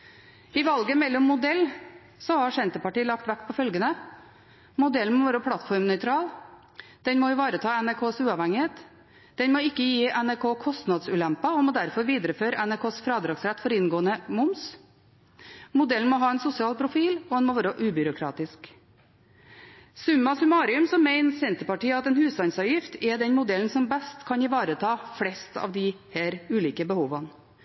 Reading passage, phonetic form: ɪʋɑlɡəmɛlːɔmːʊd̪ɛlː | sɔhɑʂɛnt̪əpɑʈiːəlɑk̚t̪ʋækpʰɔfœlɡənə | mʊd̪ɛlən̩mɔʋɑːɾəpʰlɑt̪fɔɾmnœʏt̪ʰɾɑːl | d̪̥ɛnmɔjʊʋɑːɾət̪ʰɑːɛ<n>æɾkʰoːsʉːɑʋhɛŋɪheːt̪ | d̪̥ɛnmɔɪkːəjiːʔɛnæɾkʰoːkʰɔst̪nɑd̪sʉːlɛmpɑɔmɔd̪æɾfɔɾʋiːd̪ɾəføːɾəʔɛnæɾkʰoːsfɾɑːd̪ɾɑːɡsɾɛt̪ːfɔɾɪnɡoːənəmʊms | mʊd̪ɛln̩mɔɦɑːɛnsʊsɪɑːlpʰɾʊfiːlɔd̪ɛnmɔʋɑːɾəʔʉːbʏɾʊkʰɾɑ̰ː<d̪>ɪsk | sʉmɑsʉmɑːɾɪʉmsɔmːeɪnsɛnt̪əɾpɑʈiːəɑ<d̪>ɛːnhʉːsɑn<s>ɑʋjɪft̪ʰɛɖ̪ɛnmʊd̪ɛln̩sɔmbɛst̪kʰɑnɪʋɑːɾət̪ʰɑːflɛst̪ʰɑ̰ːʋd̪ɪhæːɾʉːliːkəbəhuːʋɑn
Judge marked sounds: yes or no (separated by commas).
yes, no, no, yes